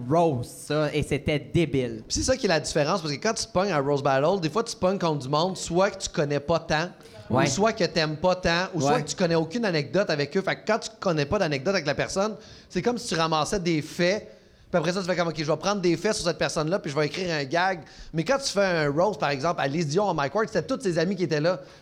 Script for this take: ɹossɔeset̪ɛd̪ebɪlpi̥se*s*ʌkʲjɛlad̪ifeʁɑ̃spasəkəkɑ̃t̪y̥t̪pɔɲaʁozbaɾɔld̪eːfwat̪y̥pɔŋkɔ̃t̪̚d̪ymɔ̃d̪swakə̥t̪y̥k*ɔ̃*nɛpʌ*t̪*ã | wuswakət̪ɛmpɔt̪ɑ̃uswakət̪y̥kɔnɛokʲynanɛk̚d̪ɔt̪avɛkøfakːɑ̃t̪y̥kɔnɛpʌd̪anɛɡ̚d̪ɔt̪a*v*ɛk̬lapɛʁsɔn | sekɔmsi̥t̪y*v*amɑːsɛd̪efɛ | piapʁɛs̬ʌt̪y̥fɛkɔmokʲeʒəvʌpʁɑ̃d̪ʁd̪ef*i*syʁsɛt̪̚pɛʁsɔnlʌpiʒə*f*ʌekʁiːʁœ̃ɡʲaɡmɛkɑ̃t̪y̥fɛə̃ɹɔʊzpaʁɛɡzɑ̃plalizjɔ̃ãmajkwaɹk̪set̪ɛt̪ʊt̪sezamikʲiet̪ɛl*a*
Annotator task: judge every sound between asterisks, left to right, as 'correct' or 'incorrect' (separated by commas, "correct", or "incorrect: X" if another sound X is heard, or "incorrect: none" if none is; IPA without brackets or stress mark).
correct, incorrect: ɔ, correct, correct, incorrect: ʁ, incorrect: ɛ, incorrect: v, incorrect: ʌ